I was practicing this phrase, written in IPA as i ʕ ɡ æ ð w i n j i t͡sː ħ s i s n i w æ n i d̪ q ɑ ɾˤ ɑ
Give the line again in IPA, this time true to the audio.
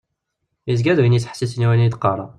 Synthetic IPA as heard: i z ɡ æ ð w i n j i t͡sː ħ s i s n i w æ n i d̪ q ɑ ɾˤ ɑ